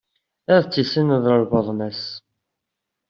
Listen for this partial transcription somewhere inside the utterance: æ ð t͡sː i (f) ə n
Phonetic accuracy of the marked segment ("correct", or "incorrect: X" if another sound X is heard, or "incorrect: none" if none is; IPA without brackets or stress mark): incorrect: s